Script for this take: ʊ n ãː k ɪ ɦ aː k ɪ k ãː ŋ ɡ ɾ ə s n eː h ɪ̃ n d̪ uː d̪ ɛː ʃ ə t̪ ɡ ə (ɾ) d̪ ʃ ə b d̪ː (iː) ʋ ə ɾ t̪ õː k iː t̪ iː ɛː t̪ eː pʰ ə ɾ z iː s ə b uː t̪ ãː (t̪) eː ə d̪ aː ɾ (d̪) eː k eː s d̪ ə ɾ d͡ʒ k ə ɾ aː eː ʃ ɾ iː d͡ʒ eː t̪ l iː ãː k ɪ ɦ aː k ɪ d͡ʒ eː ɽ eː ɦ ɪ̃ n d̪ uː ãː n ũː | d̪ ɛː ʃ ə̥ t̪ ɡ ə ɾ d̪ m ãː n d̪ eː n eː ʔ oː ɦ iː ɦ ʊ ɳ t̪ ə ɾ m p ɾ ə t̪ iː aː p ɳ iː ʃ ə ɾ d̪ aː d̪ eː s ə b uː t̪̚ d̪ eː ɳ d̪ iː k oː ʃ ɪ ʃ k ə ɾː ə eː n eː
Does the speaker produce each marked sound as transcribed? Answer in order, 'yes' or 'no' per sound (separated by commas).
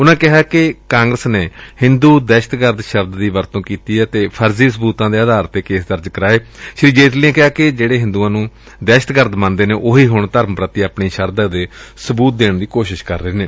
yes, yes, no, no